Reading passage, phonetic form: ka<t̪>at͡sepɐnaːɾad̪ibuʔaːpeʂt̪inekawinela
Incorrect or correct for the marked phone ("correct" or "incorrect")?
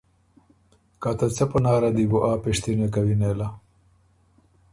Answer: correct